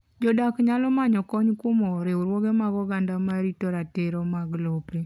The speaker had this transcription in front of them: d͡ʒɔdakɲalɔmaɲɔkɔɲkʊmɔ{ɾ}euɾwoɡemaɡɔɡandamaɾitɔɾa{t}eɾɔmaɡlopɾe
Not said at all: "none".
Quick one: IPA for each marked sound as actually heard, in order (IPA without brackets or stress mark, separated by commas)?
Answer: ɾ, t